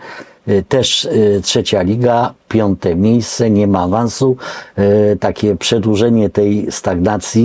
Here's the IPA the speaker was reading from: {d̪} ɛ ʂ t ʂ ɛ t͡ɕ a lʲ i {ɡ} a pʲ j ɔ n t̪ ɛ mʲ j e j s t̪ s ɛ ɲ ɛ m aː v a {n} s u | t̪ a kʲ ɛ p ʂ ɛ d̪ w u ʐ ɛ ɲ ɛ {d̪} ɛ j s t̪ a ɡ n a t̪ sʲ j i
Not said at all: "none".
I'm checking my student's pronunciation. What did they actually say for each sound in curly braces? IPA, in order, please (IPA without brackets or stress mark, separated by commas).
t̪, ɡ, n, t̪